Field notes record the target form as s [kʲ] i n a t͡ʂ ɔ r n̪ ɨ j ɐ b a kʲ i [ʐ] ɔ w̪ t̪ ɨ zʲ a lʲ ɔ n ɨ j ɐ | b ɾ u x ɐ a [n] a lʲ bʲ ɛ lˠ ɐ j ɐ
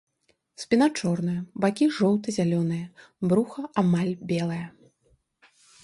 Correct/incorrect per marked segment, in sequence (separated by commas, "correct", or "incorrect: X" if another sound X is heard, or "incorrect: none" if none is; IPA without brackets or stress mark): incorrect: pʲ, correct, incorrect: m